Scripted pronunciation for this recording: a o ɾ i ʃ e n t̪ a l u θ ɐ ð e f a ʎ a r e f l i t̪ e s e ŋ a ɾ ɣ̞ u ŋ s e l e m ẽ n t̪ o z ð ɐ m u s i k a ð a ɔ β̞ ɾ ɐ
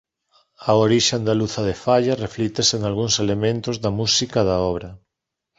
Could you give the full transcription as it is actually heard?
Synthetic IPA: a o ɾ i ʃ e n d̪ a l u θ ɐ ð e f a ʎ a r e f l i t̪ e s e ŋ a l ɣ̞ u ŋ s e l e m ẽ n t̪ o z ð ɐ m u s i k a ð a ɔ β̞ ɾ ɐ